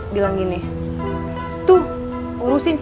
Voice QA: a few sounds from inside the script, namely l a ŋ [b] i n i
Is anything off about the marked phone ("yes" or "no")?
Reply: yes